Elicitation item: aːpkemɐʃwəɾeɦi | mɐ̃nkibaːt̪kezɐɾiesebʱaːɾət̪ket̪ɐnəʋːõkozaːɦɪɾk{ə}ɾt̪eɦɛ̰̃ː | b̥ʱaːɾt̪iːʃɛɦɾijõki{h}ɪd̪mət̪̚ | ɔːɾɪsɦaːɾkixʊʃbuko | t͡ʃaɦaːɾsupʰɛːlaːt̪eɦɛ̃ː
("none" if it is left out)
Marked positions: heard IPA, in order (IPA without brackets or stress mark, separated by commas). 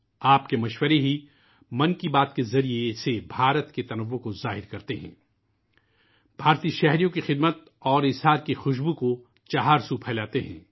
ɐ, x